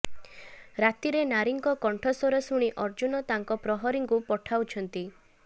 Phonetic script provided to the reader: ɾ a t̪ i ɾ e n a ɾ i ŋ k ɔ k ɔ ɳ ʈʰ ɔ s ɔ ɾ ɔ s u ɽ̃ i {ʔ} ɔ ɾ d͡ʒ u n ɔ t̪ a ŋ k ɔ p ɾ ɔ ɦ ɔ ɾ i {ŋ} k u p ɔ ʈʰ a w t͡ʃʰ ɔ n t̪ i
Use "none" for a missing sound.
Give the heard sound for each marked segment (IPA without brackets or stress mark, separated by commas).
ʔ, ŋ